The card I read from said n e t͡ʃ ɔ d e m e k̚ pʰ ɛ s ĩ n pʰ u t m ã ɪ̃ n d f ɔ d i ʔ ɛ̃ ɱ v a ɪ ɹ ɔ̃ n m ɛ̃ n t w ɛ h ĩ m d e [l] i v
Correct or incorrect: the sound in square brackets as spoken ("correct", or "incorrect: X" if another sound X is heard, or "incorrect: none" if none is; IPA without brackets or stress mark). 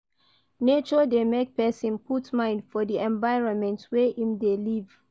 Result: correct